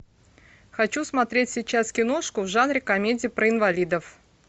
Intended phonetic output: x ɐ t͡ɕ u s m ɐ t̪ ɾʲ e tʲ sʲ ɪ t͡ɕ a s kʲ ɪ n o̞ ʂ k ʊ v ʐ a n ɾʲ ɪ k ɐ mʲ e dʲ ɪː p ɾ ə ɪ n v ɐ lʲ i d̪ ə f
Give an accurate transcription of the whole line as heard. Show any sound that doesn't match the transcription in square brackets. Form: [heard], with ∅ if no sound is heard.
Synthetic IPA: x ɐ t͡ɕ u s m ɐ t̪ ɾʲ e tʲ sʲ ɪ t͡ɕ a s kʲ ɪ n o̞ ʂ k ʊ v ʐ a n ɾʲ ɪ k ɐ mʲ e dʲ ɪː p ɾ ə ɪ n v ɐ lʲ i d̪ ə f